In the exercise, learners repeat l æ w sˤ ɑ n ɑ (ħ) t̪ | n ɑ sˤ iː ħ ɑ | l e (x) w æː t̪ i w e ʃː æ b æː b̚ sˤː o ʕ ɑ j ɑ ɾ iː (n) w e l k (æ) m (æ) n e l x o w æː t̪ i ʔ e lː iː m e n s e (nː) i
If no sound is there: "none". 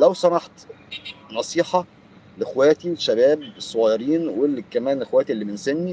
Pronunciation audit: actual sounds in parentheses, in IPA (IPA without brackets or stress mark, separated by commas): ħ, x, n, æ, æː, nː